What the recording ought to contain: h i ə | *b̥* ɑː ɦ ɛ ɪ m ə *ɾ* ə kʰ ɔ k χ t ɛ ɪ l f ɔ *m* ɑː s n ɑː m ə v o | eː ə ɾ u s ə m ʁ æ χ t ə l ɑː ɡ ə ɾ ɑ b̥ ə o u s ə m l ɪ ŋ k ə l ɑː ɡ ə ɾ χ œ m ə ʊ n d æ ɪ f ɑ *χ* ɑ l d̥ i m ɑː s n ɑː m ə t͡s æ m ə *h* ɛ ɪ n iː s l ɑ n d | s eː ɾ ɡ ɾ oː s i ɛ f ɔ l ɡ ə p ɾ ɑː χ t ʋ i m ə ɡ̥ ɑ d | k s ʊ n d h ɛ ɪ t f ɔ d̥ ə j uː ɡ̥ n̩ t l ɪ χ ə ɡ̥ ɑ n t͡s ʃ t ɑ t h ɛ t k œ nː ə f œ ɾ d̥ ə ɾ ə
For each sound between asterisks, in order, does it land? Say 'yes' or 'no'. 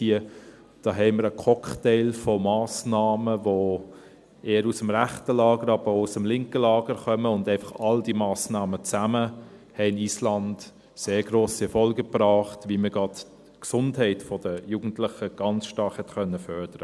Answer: no, yes, yes, yes, yes

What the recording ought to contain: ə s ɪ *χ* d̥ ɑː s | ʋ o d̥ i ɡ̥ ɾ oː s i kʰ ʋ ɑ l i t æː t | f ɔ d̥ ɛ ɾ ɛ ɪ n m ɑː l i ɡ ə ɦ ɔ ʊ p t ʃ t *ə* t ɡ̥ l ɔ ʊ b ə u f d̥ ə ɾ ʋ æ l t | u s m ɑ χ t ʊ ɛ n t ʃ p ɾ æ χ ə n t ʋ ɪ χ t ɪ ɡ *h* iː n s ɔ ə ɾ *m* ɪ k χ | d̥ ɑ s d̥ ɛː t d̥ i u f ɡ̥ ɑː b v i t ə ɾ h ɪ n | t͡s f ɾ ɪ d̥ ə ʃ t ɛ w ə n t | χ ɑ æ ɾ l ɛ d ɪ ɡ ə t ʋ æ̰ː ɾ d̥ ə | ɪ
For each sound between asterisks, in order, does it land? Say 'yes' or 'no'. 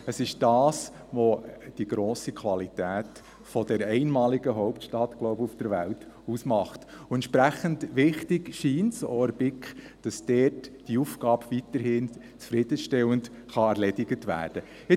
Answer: no, no, no, no

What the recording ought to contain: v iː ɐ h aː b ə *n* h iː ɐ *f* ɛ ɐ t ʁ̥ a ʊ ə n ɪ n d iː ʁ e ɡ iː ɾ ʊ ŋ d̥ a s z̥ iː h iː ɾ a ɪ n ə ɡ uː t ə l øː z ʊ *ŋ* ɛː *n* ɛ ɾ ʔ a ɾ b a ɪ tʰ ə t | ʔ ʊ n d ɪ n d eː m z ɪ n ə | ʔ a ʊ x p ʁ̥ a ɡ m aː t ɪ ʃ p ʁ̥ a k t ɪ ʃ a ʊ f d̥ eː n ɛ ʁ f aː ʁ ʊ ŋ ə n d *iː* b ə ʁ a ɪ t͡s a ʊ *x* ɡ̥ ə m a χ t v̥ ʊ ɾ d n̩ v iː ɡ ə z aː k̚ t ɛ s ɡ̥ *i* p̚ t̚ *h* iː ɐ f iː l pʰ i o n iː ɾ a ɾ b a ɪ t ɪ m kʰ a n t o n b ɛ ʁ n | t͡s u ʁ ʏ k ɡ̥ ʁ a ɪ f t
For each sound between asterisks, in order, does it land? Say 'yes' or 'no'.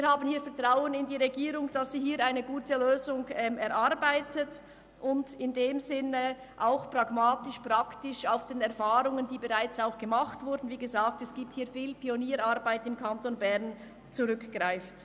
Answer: yes, yes, yes, no, yes, yes, no, yes

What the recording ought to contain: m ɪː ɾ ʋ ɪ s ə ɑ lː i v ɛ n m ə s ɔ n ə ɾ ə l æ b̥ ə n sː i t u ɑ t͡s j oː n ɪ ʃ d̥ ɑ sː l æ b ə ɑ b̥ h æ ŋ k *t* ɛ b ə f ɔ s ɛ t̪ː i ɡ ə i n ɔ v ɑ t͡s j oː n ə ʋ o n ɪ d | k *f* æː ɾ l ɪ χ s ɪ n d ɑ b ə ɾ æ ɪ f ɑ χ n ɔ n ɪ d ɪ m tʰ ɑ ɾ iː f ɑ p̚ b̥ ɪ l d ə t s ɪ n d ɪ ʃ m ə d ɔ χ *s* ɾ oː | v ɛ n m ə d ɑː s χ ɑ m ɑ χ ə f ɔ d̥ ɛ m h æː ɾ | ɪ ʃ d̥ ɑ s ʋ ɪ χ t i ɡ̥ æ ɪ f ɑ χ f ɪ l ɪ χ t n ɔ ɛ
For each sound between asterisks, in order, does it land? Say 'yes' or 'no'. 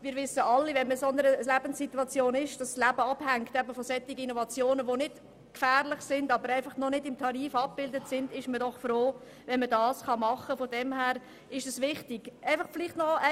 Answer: yes, yes, no

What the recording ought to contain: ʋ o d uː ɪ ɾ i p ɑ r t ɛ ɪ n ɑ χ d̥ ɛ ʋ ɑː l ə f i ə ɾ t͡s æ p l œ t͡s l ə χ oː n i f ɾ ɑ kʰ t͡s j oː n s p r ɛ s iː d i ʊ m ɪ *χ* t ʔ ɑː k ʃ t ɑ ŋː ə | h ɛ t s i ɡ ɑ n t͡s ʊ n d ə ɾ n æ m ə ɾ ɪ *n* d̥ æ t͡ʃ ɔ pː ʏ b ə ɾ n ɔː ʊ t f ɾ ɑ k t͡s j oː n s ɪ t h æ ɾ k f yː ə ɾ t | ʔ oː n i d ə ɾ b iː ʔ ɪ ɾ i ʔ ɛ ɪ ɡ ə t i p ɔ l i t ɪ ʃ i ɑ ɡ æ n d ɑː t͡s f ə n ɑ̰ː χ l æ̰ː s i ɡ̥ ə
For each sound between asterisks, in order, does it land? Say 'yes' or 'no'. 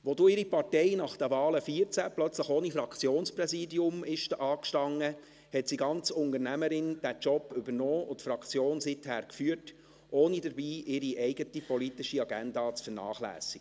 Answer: no, yes

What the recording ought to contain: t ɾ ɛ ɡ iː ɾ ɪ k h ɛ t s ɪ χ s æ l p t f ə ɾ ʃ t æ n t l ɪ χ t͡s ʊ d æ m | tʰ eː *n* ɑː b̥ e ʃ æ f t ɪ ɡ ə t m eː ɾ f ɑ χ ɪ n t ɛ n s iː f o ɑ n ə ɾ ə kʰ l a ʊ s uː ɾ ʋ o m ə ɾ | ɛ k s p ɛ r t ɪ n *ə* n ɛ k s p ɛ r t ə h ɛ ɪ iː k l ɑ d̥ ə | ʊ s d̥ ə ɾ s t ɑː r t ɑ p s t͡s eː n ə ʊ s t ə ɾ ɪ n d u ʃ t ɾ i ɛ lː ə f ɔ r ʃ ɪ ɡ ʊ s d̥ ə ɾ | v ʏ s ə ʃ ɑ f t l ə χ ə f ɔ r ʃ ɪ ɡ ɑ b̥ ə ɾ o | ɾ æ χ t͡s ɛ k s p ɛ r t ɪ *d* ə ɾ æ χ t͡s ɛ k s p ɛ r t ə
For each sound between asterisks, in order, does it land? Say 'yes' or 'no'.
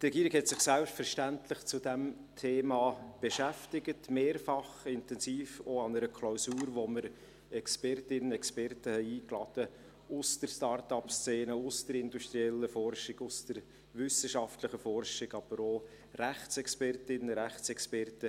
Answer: no, yes, no

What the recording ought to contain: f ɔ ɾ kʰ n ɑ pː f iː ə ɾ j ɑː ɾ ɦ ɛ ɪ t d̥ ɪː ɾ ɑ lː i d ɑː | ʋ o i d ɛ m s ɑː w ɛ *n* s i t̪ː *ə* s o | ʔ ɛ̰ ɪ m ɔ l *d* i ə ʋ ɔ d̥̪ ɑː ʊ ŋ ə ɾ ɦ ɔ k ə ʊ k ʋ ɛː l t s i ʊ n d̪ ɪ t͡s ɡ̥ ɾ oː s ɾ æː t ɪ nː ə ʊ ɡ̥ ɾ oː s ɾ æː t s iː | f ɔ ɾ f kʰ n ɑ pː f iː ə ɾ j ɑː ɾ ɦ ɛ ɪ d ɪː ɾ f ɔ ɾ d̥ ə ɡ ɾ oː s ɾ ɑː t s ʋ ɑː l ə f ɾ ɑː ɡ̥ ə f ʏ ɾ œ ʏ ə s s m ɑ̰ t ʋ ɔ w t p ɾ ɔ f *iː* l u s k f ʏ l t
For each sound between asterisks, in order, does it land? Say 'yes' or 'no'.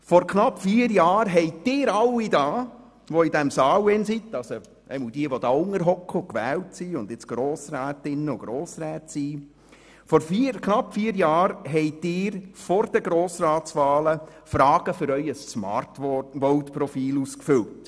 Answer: yes, no, yes, yes

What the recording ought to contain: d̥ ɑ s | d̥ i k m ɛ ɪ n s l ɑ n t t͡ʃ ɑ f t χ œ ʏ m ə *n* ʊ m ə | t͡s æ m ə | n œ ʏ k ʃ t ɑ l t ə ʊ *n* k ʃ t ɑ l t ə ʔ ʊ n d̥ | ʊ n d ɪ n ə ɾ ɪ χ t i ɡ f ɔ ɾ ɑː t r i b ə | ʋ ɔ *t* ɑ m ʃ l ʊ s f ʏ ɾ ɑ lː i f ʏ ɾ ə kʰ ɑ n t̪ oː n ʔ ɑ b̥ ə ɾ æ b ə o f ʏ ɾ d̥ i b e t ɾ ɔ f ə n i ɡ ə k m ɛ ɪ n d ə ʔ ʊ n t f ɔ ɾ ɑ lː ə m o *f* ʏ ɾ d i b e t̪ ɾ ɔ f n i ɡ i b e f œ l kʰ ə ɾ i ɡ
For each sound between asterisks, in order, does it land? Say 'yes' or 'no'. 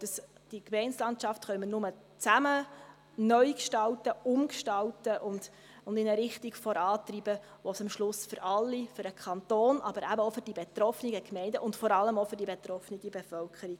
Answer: yes, no, no, yes

